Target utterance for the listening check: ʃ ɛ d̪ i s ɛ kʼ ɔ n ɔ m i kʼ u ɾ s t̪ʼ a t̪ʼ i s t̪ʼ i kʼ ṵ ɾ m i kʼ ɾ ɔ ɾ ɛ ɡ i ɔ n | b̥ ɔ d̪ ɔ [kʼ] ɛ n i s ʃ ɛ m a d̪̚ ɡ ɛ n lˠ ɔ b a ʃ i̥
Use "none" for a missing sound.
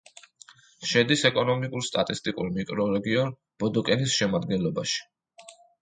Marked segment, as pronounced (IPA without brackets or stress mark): kʼ